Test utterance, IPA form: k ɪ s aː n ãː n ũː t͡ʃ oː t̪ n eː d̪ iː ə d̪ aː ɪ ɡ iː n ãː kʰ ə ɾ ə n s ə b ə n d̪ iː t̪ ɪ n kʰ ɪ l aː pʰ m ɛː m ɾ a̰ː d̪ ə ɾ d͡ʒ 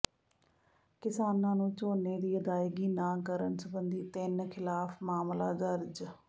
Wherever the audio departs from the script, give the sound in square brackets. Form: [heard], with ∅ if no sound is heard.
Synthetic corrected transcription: k ɪ s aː n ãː n ũː t͡ʃ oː [∅] n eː d̪ iː ə d̪ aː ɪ ɡ iː n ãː [k] ə ɾ ə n s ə b ə n d̪ iː t̪ ɪ n kʰ ɪ l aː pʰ m [aː] m [l] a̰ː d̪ ə ɾ d͡ʒ